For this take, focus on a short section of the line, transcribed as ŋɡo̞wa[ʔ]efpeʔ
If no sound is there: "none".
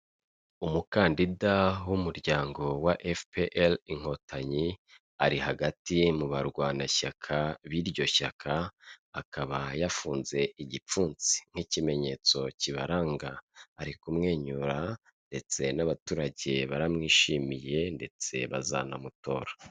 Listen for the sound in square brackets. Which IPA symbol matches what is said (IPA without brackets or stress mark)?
ʔ